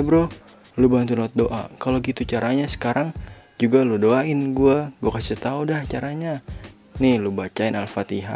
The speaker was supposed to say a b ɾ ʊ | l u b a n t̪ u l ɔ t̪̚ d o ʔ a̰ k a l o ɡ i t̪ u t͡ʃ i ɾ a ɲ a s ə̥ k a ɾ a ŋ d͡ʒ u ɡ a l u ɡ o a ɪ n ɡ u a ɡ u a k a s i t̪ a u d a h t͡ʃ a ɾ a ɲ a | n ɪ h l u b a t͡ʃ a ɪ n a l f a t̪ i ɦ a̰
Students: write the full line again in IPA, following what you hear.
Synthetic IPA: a b ɾ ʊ | l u b a n t̪ u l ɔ t̪̚ d o ʔ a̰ k a l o ɡ i t̪ u t͡ʃ a ɾ a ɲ a s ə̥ k a ɾ a ŋ d͡ʒ u ɡ a l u d o a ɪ n ɡ u a ɡ u a k a s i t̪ a u d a h t͡ʃ a ɾ a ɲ a | n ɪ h l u b a t͡ʃ a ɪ n a l f a t̪ i ɦ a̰